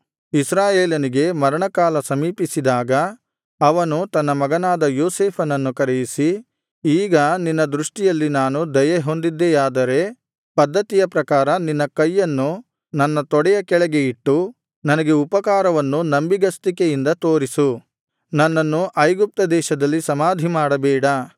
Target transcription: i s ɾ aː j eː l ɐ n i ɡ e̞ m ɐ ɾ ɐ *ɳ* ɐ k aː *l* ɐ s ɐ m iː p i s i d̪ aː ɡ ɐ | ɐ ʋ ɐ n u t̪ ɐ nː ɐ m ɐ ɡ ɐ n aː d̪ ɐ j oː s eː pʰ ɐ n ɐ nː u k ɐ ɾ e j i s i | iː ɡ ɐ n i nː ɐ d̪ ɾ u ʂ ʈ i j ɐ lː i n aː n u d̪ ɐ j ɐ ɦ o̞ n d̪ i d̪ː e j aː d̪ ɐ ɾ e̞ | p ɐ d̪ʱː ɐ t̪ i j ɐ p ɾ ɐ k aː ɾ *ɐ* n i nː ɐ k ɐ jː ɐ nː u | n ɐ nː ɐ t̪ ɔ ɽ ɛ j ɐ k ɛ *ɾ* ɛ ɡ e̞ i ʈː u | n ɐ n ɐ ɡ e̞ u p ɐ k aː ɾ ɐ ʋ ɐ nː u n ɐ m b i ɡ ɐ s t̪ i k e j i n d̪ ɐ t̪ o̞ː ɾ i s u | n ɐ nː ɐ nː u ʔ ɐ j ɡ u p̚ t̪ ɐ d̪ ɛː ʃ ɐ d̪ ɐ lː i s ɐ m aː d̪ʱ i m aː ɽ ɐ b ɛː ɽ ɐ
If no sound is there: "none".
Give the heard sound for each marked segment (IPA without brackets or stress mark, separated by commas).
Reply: ɳ, l, ɐ, ɭ